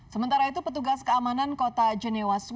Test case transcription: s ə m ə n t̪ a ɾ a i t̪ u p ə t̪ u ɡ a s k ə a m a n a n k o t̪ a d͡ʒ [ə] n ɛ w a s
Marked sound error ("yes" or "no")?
no